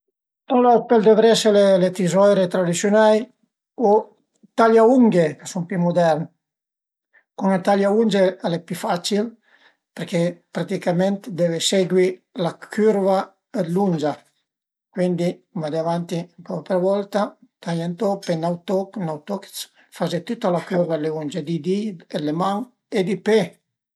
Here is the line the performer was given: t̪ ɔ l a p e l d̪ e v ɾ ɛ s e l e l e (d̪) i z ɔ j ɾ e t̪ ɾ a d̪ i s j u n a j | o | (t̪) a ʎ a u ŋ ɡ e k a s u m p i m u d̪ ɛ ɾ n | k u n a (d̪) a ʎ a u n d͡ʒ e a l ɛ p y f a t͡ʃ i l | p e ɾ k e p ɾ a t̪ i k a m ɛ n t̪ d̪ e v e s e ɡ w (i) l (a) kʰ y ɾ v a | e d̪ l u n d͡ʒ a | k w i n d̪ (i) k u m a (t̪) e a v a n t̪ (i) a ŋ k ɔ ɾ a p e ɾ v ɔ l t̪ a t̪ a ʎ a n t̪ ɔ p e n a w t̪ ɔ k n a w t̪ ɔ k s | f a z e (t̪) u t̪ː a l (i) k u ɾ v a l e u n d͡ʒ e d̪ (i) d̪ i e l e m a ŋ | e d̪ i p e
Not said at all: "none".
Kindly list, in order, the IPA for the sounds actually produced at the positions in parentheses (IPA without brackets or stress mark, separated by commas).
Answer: t̪, t̪, t̪, i, a, i, d̪, i, t̪, a, i